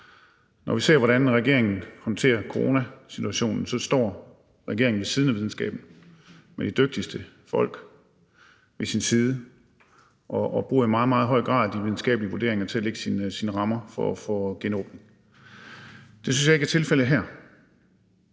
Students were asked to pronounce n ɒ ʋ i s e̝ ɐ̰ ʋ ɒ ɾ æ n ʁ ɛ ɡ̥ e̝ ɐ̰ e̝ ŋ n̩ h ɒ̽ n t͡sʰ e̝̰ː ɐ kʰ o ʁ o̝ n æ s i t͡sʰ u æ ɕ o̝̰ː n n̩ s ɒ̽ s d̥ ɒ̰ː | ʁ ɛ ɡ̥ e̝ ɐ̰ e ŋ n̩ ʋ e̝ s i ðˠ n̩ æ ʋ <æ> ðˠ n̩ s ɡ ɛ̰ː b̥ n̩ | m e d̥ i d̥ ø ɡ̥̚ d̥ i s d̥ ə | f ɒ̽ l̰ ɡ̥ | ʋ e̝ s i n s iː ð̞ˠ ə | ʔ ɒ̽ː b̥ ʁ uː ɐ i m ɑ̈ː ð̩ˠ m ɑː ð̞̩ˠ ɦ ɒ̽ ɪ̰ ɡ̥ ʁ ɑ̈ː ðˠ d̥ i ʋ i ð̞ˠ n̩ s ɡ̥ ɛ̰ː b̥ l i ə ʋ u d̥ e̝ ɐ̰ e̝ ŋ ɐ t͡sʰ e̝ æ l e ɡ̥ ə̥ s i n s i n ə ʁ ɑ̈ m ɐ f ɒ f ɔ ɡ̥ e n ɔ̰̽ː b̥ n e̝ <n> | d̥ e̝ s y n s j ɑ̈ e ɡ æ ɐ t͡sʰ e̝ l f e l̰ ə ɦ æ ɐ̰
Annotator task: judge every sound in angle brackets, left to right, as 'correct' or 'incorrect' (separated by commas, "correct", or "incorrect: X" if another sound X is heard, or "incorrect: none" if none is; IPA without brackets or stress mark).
incorrect: i, incorrect: ŋ